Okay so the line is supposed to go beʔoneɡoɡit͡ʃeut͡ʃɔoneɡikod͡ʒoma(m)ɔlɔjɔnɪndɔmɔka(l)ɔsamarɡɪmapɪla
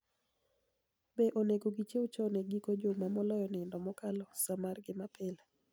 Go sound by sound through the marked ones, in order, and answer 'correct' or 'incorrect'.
correct, correct

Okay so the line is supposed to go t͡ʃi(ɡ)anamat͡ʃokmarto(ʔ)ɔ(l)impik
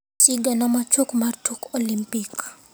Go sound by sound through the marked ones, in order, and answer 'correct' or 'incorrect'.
correct, incorrect: k, correct

